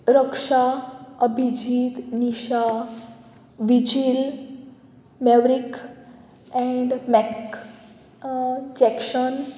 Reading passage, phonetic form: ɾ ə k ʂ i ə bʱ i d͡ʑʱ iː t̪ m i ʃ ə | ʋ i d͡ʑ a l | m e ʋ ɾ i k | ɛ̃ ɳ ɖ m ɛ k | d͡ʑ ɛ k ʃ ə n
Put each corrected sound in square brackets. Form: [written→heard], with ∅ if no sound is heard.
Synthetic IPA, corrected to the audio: ɾ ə k ʂ [i→a] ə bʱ i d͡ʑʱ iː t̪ [m→n] i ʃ [ə→a] | ʋ i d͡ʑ [a→i] l | m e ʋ ɾ i k | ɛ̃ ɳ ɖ m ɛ k | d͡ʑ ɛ k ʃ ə n